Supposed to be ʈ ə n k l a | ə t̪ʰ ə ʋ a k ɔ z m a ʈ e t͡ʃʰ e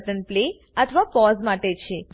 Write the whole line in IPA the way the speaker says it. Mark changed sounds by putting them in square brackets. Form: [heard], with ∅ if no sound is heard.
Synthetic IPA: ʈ ə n [p] l [e] | ə t̪ʰ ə ʋ a [p] ɔ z m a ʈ e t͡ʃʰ e